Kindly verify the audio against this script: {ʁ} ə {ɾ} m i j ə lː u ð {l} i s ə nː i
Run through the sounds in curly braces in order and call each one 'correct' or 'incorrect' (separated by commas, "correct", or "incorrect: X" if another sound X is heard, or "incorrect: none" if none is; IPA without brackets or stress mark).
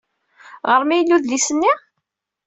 correct, correct, correct